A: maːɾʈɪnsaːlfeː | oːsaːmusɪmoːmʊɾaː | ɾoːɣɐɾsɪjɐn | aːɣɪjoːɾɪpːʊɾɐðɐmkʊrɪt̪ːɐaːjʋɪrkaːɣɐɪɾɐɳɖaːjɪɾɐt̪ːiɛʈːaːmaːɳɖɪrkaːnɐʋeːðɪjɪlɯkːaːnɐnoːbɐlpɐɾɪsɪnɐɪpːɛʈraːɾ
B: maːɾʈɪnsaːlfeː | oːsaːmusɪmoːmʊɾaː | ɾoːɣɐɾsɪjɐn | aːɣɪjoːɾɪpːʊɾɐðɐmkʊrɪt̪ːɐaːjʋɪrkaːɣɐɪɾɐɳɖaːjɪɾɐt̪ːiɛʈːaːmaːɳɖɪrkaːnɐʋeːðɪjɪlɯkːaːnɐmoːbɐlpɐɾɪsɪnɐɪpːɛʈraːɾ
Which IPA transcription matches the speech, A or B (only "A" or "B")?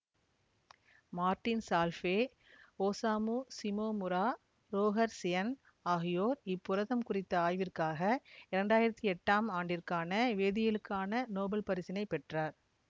A